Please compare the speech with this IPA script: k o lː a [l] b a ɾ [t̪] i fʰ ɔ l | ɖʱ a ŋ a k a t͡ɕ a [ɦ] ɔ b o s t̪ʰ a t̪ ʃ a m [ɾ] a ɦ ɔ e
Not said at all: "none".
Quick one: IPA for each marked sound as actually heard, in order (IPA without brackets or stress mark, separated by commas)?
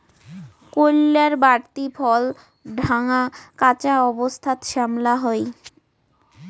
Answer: ɾ, t̪, none, l